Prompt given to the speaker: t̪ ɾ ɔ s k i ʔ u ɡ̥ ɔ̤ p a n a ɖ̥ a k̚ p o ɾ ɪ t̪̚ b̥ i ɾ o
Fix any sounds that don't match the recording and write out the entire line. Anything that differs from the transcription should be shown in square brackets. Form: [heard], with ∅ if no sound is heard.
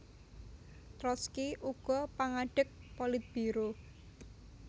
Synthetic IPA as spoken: t̪ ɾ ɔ s k i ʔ u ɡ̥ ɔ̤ p a [ŋ] a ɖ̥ [ə] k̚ p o [l] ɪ t̪̚ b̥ i ɾ o